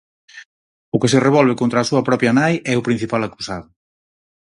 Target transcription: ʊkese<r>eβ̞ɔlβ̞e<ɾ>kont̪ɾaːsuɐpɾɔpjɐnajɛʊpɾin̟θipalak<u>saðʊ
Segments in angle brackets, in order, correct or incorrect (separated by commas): correct, incorrect, correct